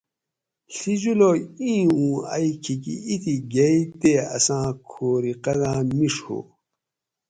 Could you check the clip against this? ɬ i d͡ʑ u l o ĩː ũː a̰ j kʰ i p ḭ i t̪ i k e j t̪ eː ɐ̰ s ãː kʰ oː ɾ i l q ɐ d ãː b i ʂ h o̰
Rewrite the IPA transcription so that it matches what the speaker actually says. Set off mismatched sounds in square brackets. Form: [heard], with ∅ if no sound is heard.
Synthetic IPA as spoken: ɬ i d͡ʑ u l o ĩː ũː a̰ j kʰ i [k] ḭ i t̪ i [ɡ] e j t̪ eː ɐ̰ s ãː kʰ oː ɾ i [∅] q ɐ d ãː [m] i ʂ h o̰